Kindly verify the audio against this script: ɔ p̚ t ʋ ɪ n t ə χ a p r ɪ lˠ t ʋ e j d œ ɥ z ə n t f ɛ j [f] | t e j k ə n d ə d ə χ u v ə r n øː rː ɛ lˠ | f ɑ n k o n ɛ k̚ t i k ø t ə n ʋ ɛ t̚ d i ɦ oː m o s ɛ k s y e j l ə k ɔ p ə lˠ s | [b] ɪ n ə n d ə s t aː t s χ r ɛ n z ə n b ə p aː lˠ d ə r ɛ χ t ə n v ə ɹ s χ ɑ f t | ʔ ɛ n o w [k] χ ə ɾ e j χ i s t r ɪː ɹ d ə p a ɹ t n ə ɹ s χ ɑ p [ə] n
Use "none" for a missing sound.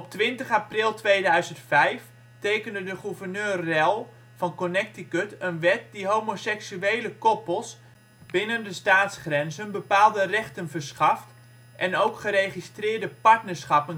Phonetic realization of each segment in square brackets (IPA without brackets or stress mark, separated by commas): f, b, k, ə